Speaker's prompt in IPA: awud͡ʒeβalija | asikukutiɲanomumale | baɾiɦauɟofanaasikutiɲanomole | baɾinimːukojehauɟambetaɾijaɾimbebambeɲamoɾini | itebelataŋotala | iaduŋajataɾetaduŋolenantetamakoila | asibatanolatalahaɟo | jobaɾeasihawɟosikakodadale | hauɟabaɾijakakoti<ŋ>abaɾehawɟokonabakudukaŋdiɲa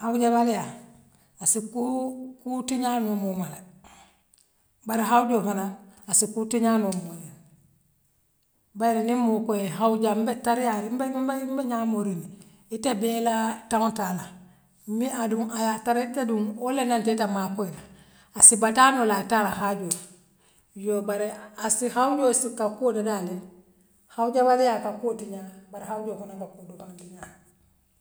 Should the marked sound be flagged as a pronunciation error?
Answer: yes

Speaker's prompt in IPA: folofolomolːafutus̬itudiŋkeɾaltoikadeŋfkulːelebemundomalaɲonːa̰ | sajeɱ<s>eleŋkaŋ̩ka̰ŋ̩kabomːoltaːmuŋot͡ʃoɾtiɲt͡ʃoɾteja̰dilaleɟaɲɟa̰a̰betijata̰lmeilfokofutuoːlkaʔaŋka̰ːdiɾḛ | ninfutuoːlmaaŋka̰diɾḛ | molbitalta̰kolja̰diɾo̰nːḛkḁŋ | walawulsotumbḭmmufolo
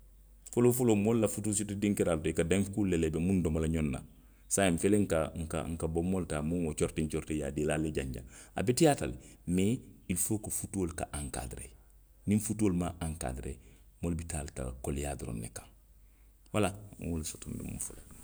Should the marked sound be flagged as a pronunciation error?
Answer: yes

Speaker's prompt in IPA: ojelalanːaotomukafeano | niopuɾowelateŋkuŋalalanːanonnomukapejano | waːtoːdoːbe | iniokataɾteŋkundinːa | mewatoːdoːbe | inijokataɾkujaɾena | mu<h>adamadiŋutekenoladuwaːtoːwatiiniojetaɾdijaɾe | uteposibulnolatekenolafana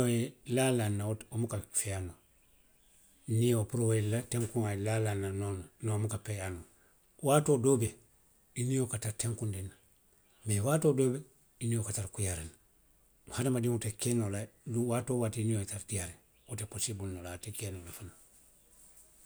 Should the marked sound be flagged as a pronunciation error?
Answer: no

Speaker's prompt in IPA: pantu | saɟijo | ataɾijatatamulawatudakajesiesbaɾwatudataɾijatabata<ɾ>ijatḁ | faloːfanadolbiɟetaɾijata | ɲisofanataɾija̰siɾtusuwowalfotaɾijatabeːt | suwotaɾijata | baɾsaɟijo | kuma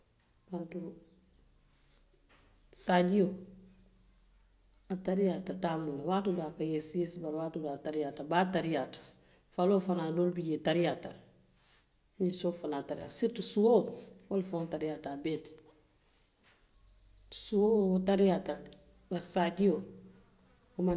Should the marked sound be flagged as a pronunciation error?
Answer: no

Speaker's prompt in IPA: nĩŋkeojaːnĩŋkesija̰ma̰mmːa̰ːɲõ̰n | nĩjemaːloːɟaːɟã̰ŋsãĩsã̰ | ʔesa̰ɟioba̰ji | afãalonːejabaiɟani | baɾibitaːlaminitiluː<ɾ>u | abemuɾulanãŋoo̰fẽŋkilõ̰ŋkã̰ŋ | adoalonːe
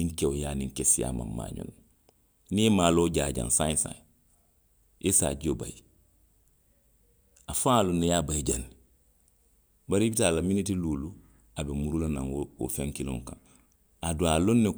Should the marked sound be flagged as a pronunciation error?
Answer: yes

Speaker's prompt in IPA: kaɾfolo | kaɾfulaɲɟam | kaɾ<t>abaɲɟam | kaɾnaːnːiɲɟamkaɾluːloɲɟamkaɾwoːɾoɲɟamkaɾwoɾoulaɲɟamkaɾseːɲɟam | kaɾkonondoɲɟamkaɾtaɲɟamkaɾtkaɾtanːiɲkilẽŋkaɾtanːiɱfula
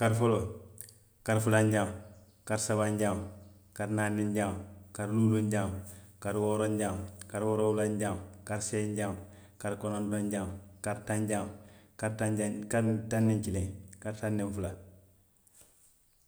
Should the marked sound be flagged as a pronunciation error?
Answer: yes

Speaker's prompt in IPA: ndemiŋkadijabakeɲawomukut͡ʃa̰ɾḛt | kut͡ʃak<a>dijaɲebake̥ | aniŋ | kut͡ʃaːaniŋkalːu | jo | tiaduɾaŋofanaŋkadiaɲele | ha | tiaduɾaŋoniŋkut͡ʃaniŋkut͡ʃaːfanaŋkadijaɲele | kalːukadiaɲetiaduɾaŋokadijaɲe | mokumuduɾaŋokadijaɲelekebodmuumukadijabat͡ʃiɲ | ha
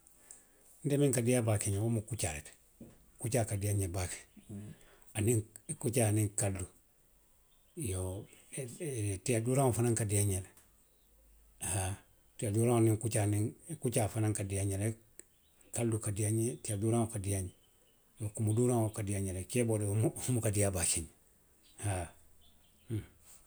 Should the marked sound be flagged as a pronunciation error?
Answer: no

